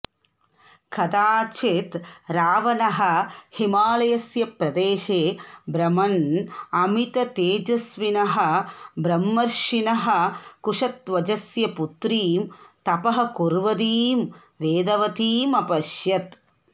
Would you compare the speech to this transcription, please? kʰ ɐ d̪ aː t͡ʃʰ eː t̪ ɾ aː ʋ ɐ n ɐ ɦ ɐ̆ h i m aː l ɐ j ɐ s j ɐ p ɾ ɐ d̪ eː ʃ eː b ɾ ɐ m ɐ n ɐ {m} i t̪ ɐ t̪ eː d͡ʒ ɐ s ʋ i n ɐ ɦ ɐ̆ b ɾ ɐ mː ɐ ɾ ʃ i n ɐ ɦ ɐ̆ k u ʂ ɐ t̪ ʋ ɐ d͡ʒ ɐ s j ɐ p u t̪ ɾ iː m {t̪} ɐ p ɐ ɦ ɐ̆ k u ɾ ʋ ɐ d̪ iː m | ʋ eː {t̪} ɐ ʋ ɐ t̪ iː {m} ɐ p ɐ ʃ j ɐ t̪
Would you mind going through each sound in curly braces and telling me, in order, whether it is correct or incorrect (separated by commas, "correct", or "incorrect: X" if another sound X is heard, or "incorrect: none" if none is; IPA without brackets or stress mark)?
correct, correct, incorrect: d̪, correct